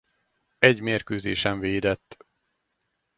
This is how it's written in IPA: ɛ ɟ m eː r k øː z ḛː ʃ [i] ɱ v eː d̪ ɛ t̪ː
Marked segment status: incorrect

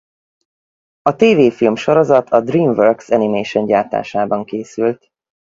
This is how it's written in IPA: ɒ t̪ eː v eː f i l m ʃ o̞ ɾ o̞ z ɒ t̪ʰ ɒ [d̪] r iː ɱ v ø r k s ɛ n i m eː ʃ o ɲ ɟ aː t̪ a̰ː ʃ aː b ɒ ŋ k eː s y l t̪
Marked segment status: correct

